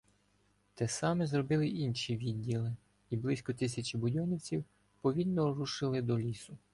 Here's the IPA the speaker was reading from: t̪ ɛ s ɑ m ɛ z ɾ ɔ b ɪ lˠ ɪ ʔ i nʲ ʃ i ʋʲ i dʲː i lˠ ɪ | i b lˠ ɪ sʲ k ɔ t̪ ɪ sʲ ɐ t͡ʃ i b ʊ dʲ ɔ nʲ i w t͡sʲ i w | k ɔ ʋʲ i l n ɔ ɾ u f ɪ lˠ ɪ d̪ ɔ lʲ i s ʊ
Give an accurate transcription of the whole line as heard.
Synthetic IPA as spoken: t̪ ɛ s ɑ m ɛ z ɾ ɔ b ɪ lˠ ɪ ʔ i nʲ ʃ i ʋʲ i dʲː i lˠ ɪ | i b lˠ ɪ sʲ k ɔ t̪ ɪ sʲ ɐ t͡ʃ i b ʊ dʲ ɔ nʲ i w t͡sʲ i w | p ɔ ʋʲ i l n ɔ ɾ u ʃ ɪ lˠ ɪ d̪ ɔ lʲ i s ʊ